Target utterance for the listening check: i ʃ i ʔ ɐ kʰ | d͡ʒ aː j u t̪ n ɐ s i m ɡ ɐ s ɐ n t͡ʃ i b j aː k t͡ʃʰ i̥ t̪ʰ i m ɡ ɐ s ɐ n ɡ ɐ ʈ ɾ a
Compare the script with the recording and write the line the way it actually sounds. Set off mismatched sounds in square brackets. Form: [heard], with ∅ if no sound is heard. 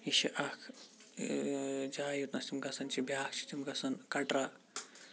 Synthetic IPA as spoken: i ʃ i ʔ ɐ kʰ | d͡ʒ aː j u t̪ n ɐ s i m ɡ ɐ s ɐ n t͡ʃ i b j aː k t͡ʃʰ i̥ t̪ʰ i m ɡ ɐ s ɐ n [k] ɐ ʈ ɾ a